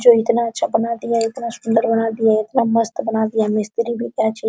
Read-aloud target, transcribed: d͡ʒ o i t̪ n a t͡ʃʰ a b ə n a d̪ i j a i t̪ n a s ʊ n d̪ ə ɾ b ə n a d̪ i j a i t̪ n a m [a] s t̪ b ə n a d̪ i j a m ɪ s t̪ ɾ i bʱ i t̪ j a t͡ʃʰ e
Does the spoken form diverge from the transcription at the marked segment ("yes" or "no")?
yes